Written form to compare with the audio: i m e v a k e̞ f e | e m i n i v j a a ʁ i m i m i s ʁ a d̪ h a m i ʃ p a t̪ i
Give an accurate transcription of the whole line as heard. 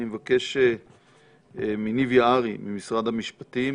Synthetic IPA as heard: i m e v a k e̞ ʃ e | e m i n i v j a a ʁ i m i m i s ʁ a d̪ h a m i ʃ p a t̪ i